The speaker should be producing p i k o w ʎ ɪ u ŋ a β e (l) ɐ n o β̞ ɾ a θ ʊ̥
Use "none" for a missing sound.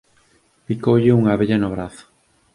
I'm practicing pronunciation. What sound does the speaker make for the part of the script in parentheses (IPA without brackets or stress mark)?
ʎ